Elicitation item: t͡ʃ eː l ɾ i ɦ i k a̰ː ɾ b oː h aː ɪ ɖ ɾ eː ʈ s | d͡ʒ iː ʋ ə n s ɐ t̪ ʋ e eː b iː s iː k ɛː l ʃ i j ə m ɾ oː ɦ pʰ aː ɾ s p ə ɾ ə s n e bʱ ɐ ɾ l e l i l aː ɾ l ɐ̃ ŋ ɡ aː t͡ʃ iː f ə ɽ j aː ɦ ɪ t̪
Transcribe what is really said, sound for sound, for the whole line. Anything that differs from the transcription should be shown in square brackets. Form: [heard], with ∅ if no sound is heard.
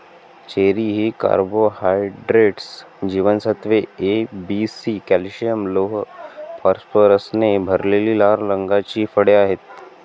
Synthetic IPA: t͡ʃ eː [∅] ɾ i ɦ i k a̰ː ɾ b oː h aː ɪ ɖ ɾ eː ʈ s | d͡ʒ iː ʋ ə n s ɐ t̪ ʋ e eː b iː s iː k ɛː l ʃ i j ə m [l] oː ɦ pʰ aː ɾ s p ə ɾ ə s n e bʱ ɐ ɾ l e l i l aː ɾ l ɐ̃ ŋ ɡ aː t͡ʃ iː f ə ɽ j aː ɦ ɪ t̪